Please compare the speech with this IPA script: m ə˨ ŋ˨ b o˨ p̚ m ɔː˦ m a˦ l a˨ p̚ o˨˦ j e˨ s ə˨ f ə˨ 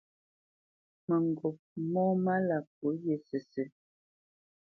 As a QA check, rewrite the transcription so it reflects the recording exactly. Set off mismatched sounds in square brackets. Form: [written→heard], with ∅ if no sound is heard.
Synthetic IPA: m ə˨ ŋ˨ [b→ɡ] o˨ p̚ m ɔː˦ m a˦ l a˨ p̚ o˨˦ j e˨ s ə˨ [f→s] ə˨

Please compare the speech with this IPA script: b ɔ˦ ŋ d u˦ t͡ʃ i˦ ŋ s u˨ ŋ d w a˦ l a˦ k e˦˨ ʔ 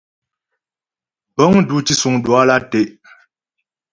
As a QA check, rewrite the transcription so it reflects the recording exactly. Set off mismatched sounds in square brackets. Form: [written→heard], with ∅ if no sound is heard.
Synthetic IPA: b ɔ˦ ŋ d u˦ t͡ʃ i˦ [ŋ→∅] s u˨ ŋ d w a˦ l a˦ [k→t] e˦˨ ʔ

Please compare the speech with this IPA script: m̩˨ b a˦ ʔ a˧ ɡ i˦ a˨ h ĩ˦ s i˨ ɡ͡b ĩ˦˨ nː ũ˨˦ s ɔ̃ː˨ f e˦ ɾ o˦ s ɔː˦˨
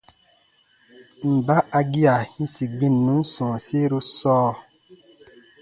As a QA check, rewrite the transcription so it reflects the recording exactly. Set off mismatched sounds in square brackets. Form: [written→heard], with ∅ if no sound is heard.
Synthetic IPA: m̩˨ b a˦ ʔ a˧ ɡ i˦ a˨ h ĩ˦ s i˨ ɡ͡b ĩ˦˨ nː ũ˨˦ s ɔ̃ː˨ [f→s] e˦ ɾ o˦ s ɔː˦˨

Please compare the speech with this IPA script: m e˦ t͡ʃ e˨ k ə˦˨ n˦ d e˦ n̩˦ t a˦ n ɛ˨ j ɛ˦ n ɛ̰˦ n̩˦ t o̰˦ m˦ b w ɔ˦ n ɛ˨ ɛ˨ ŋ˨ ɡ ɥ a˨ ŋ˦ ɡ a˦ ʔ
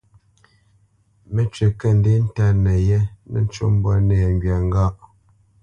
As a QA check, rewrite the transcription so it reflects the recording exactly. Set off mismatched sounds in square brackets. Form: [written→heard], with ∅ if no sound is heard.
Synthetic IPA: m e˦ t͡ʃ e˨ k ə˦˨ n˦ d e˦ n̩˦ t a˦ n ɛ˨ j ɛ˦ n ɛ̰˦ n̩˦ [t→t͡ʃ] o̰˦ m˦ b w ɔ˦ n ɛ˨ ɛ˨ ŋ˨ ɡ ɥ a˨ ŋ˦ ɡ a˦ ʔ

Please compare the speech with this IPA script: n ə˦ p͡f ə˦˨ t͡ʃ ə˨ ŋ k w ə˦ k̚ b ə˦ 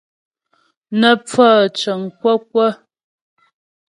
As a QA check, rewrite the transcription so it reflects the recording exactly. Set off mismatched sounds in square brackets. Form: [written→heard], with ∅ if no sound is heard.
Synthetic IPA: n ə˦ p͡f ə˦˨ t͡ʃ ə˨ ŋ k w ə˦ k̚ [b→w] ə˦

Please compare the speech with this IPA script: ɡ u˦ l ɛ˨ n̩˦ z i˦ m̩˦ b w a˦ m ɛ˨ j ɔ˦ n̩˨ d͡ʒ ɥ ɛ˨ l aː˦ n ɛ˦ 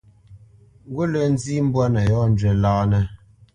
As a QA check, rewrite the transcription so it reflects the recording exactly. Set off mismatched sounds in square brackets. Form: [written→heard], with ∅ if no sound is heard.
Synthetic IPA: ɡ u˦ l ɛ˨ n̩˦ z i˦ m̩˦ b w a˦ [m→n] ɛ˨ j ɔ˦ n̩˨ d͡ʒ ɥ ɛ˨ l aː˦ n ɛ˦

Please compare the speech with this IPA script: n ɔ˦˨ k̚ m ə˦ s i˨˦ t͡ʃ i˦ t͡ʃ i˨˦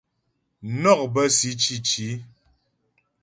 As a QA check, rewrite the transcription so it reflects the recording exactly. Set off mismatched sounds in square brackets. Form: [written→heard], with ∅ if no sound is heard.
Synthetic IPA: n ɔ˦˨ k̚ [m→b] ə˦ s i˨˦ t͡ʃ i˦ t͡ʃ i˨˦

